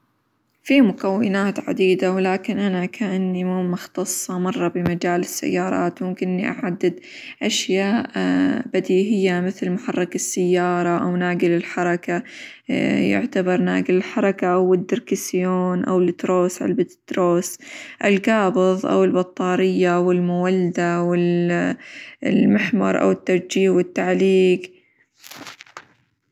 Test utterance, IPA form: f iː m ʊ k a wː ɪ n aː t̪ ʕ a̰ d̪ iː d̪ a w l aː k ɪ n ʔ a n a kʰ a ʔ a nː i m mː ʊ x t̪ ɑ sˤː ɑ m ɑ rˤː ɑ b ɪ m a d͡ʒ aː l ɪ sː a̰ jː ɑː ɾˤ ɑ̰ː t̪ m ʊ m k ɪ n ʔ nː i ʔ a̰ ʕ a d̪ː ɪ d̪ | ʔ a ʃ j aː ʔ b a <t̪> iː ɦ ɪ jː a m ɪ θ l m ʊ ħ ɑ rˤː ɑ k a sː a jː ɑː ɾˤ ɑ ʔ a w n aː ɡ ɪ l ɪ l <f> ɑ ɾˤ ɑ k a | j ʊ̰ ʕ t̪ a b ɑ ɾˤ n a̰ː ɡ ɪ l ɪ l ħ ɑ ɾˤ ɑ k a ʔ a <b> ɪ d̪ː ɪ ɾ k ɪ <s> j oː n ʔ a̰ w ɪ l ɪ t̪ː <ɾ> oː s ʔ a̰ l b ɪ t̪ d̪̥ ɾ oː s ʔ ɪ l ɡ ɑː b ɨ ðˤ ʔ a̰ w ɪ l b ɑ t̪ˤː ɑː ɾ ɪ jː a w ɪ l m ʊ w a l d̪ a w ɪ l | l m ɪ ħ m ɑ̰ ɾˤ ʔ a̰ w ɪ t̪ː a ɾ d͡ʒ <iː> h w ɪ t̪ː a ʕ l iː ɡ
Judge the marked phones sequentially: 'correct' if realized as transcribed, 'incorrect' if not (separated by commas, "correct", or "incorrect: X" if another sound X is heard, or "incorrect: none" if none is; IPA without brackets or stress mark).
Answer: incorrect: d̪, incorrect: ħ, incorrect: w, correct, correct, correct